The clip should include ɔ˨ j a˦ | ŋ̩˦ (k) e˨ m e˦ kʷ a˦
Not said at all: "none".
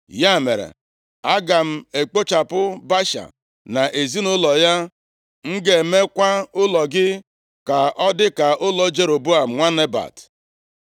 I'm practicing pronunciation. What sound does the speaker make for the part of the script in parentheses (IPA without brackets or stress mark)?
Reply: ɡ